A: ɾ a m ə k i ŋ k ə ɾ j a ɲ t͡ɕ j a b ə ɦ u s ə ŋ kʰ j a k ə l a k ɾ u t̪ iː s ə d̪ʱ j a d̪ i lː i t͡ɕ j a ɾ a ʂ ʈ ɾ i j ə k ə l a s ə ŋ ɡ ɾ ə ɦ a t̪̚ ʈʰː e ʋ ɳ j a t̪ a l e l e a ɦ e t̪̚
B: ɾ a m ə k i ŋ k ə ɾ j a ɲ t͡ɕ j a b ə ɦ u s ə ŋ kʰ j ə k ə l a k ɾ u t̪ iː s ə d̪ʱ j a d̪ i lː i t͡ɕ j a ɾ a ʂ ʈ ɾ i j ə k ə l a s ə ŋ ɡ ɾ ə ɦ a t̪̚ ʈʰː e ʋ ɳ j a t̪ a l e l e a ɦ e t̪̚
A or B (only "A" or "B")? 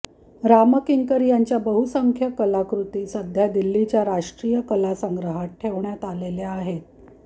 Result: B